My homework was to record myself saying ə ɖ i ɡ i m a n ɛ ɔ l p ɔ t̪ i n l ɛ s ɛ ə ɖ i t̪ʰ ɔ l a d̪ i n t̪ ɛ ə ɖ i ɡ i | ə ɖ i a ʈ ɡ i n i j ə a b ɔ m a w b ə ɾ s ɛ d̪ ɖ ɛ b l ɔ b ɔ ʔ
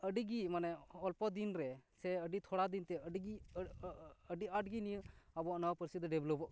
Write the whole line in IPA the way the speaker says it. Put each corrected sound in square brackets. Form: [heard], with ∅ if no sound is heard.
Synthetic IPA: ə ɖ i ɡ i m a n ɛ ɔ l p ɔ [d̪] i n [ɾ] ɛ s ɛ ə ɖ i t̪ʰ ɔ [ɽ] a d̪ i n t̪ ɛ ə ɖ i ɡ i | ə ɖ i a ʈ ɡ i n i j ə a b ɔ [n] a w [p] ə ɾ s [i] d̪ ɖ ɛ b l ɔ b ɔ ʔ